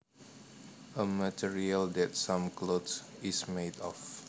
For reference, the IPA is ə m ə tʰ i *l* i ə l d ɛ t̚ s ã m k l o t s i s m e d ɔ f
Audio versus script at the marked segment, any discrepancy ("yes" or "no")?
yes